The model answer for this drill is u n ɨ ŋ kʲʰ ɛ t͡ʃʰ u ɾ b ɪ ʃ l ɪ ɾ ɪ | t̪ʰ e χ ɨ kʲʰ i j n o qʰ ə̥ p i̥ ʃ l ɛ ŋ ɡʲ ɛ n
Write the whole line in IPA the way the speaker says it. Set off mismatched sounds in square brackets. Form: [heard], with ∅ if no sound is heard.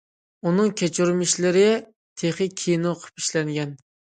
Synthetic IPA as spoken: u n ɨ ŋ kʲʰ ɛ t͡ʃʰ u ɾ [m] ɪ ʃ l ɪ ɾ ɪ | t̪ʰ e χ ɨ kʲʰ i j n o qʰ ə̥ p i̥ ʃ l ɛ ŋ ɡʲ ɛ n

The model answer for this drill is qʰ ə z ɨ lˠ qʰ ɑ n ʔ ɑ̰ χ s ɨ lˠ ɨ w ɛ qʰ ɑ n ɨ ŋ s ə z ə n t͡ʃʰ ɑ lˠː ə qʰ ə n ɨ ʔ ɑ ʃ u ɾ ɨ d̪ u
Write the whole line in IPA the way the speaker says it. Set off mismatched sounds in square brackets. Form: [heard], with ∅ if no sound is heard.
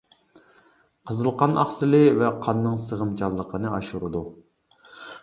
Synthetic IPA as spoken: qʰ ə z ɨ lˠ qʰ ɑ n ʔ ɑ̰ χ s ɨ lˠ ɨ [v] ɛ qʰ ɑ [nː] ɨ ŋ s ə [ʁ] ə [m] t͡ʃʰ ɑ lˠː ə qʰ ə n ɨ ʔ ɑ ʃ u ɾ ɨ d̪ u

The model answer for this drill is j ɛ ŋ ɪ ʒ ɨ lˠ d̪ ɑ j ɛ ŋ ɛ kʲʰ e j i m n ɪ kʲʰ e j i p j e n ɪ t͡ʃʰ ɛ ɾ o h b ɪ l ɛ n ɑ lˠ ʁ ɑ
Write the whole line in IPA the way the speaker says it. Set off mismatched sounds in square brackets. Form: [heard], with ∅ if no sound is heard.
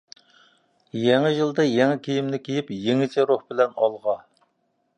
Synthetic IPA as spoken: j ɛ ŋ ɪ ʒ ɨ lˠ d̪ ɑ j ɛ ŋ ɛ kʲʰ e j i m n ɪ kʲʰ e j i p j e [ŋ] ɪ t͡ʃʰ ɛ ɾ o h b ɪ l ɛ n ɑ lˠ ʁ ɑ

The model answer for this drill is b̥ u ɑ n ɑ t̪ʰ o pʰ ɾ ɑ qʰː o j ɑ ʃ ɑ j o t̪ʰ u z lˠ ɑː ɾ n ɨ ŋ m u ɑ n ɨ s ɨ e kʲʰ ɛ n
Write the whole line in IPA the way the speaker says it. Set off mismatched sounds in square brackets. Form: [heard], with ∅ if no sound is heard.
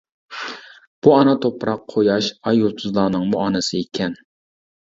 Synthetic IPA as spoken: b̥ u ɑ n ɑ t̪ʰ o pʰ ɾ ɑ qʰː o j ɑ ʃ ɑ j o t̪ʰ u z lˠ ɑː [∅] n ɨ ŋ m u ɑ n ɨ s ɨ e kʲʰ ɛ n

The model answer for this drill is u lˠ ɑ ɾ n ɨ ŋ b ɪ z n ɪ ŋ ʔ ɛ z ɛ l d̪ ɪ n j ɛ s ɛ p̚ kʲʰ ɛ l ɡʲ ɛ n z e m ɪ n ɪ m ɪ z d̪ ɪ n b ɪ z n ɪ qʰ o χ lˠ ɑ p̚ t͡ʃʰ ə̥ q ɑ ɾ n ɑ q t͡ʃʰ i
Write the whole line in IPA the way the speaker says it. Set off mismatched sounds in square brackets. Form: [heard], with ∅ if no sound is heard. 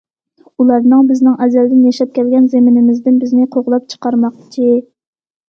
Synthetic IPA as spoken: u lˠ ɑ ɾ n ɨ ŋ b ɪ z n ɪ ŋ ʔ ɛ z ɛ l d̪ ɪ n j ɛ [ʃ] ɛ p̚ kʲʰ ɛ l ɡʲ ɛ n z e m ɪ n ɪ m ɪ z d̪ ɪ n b ɪ z n ɪ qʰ o [ʁ] lˠ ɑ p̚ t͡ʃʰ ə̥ q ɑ ɾ [m] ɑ q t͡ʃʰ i

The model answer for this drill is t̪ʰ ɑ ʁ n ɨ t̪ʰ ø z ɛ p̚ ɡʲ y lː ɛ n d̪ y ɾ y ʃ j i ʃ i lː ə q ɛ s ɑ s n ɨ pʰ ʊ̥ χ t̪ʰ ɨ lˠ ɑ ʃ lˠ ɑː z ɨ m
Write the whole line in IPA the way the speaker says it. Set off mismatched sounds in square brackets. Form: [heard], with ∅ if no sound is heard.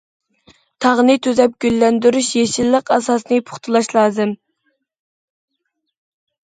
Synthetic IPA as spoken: t̪ʰ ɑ ʁ n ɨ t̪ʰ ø z ɛ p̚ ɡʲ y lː ɛ n d̪ y ɾ y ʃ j [e] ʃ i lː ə q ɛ s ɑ s n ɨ pʰ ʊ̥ χ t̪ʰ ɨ lˠ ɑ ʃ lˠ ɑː z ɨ m

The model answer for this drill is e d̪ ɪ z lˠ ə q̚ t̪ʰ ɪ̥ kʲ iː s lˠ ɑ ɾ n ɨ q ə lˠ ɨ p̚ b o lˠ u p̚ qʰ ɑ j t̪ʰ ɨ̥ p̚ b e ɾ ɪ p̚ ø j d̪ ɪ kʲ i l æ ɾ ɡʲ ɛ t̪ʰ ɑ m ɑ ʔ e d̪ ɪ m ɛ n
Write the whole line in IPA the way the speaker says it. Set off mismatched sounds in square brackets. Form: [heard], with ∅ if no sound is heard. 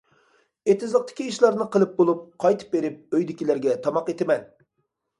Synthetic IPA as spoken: e [t̪] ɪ z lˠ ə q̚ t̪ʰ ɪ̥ kʲ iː [ʃ] lˠ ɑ ɾ n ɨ q ə lˠ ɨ p̚ b o lˠ u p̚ qʰ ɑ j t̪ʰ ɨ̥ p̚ b e ɾ ɪ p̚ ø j d̪ ɪ kʲ i l æ ɾ ɡʲ ɛ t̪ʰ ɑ m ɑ [q] e [t̪] ɪ m ɛ n

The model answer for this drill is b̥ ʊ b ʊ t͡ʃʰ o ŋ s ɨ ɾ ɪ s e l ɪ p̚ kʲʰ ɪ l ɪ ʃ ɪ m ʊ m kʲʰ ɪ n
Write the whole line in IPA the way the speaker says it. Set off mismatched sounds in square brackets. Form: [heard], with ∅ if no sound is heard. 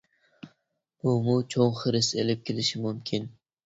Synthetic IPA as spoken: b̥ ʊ [m] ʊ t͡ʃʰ o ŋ [χ] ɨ ɾ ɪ s e l ɪ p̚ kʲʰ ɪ l ɪ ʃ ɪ m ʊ m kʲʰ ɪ n

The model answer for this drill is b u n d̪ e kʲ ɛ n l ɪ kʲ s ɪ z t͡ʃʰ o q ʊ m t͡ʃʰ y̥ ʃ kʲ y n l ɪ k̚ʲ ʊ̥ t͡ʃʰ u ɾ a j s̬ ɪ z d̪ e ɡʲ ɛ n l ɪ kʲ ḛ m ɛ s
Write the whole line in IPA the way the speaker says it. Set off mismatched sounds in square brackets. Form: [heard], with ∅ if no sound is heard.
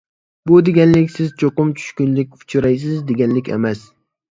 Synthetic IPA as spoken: b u [∅] d̪ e [ɡʲ] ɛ n l ɪ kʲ s ɪ z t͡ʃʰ o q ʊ m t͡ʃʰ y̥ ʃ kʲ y n l ɪ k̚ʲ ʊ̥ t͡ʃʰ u ɾ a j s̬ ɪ z d̪ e ɡʲ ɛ n l ɪ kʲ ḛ m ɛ s

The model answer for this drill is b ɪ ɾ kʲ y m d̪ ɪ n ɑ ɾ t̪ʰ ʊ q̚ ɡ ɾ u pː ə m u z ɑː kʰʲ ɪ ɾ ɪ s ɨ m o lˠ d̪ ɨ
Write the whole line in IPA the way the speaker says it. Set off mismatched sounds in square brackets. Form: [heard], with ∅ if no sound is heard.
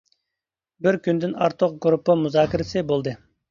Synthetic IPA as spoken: b ɪ ɾ kʲ y [n] d̪ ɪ n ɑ ɾ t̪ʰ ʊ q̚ ɡ ɾ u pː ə m u z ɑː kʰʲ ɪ ɾ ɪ s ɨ [b] o lˠ d̪ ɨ

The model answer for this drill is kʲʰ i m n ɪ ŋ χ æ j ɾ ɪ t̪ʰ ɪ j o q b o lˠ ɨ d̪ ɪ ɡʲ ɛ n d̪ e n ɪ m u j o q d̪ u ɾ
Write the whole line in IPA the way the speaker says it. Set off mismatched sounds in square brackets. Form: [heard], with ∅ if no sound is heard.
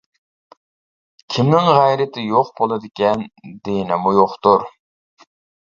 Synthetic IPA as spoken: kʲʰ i m n ɪ ŋ [ʁ] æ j ɾ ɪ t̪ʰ ɪ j o q b o lˠ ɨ d̪ ɪ [kʲ] ɛ n d̪ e n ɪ m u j o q [t̪] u ɾ

